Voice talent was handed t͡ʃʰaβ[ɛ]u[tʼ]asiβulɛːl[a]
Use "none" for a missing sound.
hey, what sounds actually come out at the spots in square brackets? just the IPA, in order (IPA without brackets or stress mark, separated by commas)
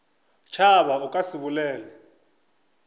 a, kʼ, ɛ